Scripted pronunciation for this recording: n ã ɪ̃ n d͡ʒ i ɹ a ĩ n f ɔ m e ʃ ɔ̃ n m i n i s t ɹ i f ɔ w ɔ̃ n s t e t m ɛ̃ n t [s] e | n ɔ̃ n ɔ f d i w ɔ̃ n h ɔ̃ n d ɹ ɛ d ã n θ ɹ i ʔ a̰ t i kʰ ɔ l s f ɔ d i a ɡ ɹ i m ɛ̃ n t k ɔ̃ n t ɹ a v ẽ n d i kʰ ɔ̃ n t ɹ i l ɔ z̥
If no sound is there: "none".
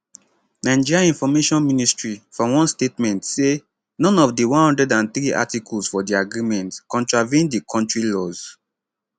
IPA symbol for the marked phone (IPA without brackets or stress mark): s